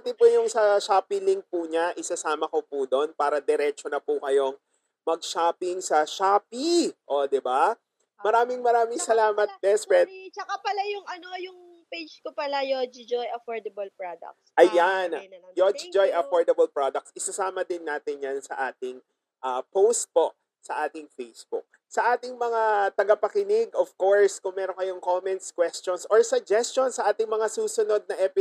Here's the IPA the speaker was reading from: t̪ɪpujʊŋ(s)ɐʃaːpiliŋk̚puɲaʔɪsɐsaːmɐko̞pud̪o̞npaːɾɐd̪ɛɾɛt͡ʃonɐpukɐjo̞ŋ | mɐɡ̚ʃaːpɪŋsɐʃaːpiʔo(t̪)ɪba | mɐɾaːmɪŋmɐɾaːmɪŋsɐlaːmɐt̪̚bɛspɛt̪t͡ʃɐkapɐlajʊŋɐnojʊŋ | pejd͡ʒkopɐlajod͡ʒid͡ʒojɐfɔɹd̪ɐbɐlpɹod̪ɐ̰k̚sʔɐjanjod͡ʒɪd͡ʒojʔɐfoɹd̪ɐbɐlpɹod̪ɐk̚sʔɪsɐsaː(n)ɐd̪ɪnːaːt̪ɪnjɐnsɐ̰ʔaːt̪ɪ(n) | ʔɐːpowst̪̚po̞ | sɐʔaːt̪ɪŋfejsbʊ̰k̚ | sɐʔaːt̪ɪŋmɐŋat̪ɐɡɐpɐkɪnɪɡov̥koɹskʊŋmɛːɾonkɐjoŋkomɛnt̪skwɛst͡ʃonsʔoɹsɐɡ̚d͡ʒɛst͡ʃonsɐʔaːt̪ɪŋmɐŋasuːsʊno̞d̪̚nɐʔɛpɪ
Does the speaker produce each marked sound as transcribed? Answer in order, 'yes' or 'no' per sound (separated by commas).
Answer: yes, no, no, no